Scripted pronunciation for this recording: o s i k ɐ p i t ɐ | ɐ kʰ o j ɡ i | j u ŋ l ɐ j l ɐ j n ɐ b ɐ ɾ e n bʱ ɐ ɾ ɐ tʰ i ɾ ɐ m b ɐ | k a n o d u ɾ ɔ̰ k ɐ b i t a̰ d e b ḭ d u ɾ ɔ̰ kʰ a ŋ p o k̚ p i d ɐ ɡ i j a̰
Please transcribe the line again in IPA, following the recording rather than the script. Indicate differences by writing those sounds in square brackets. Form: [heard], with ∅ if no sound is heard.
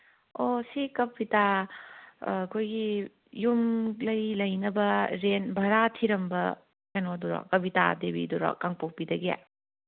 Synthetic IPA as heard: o s i k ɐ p i t [a] | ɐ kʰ o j ɡ i | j u [m] l ɐ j l ɐ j n ɐ b ɐ ɾ e n bʱ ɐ ɾ [a] tʰ i ɾ ɐ m b ɐ | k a n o d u ɾ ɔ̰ k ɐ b i t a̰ d e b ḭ d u ɾ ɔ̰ [k] a ŋ p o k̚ p i d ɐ ɡ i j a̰